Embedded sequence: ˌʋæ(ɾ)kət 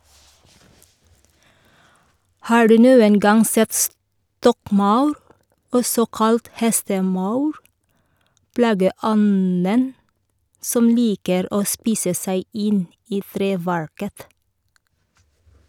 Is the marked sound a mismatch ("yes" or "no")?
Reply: yes